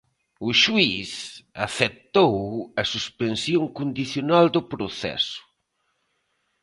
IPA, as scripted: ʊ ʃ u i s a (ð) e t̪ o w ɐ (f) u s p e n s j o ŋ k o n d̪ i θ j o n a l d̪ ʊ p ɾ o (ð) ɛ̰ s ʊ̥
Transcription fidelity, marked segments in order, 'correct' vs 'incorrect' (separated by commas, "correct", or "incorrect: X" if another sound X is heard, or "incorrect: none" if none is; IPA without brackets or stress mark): incorrect: θ, incorrect: s, incorrect: θ